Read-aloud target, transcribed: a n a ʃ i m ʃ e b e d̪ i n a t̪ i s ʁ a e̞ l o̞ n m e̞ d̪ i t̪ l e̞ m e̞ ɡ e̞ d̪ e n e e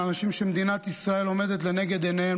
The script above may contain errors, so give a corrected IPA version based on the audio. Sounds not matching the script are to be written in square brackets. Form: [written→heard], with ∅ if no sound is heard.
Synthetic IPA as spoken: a n a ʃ i m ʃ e [b→m] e d̪ i n a t̪ i s ʁ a e̞ l o̞ [n→∅] m e̞ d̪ [i→e] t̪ l e̞ [m→n] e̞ ɡ e̞ d̪ e n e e